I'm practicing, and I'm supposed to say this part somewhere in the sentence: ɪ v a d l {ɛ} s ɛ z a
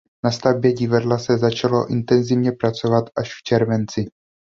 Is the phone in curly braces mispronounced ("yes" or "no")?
yes